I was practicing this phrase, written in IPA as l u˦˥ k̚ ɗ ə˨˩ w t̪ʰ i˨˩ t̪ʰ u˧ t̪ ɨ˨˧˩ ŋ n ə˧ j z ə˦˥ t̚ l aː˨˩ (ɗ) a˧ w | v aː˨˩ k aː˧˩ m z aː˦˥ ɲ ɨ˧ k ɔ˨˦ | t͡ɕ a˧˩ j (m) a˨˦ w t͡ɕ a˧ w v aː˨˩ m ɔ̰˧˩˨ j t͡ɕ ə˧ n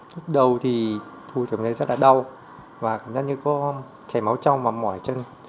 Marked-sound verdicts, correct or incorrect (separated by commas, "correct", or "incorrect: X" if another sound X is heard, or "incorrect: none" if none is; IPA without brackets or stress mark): correct, correct